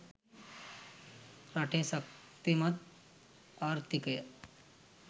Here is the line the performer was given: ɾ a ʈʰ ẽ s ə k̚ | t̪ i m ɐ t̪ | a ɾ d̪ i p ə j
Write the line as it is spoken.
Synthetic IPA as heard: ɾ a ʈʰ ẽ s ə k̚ | t̪ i m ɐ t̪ | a ɾ t̪ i k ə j